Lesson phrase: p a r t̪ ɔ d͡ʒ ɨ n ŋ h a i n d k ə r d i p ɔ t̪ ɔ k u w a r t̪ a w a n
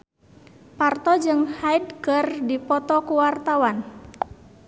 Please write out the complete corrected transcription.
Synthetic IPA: p a r t̪ ɔ d͡ʒ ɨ ŋ h a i d k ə r d i p ɔ t̪ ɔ k u w a r t̪ a w a n